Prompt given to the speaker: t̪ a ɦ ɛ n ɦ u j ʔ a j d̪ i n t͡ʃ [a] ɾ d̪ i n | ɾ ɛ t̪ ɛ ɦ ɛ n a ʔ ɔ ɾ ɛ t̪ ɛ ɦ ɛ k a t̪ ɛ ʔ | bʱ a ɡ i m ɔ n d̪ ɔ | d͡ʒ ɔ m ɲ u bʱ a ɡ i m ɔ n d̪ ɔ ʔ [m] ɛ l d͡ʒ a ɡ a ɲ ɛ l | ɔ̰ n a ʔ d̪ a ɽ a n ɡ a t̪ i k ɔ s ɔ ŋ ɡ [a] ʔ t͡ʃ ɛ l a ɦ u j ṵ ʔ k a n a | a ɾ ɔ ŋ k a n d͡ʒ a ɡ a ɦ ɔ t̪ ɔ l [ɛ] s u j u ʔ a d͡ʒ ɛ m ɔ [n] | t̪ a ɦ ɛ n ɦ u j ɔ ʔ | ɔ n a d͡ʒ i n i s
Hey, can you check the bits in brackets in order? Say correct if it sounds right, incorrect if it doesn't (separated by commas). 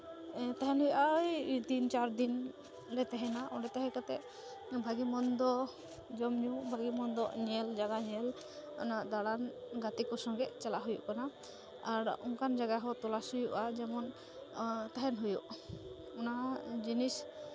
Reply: correct, incorrect, incorrect, incorrect, correct